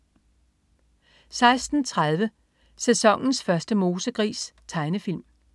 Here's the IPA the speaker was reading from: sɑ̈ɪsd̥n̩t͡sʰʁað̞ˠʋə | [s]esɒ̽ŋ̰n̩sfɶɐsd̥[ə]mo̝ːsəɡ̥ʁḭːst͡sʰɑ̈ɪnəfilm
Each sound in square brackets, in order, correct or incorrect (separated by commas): correct, correct